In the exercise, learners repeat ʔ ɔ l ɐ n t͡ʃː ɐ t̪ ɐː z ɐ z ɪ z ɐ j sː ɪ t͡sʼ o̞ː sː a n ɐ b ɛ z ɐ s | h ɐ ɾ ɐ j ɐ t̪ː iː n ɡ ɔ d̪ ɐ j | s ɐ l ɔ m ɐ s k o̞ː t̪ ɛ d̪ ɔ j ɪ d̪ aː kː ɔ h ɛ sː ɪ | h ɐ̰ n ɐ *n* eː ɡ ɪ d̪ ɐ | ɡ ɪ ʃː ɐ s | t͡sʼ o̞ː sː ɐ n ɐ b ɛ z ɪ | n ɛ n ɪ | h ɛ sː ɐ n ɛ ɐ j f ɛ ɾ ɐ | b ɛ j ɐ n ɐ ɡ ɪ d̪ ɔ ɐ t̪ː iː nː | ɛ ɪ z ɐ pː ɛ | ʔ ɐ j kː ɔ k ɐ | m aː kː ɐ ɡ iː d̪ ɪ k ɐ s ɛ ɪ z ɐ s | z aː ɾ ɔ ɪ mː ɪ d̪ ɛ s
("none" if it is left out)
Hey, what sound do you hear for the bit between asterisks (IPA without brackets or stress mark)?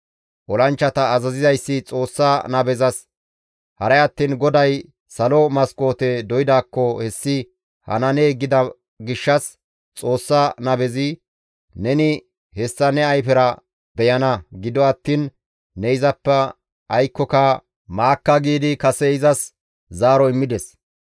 n